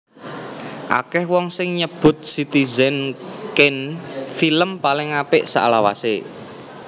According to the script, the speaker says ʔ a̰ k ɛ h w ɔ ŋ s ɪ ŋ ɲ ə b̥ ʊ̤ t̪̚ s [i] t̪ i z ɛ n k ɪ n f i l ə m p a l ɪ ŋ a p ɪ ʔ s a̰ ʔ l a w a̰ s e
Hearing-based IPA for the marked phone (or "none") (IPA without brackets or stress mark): i